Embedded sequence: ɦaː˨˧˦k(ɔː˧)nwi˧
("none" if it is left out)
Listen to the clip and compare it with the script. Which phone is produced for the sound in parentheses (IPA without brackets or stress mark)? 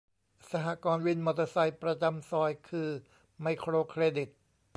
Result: ɔː˧